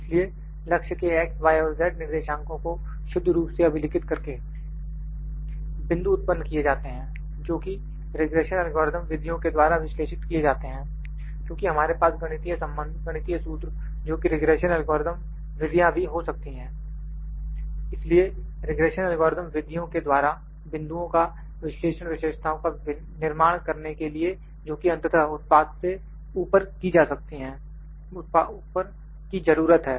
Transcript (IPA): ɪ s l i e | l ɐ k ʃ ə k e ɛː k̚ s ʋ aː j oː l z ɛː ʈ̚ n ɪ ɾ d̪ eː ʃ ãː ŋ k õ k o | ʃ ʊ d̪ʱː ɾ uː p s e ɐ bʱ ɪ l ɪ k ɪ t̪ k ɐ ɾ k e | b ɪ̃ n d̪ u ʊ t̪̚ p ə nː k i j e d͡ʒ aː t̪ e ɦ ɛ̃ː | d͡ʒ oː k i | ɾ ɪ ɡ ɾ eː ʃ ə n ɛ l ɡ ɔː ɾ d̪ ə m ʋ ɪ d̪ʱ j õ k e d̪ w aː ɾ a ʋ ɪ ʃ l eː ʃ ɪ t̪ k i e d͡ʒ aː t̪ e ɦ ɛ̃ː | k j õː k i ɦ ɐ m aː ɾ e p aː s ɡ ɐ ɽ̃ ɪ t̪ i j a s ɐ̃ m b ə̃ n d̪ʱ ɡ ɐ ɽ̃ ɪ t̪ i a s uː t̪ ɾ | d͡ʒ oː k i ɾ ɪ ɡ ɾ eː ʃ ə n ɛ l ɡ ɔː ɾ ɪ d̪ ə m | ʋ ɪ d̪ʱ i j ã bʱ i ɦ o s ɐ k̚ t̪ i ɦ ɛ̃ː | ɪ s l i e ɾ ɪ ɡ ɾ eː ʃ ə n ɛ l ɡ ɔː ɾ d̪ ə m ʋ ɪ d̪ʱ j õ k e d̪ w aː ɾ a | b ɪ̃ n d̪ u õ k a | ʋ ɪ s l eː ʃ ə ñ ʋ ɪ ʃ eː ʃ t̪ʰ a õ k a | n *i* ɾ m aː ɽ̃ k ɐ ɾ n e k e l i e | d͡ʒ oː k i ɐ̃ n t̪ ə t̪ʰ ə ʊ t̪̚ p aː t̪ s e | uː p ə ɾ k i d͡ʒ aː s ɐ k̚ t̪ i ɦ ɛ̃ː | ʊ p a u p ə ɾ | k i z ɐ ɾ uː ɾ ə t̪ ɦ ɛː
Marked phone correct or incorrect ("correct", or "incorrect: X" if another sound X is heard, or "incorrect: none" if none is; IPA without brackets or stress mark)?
incorrect: ɪ